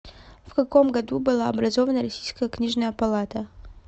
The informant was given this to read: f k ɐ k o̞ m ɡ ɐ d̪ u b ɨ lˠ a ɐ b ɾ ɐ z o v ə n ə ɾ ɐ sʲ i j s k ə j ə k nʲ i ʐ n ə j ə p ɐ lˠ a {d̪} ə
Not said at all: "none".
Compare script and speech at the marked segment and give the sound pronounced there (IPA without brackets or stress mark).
t̪